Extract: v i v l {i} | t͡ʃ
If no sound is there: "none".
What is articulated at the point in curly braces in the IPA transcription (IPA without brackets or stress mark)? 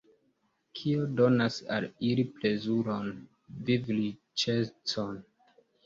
i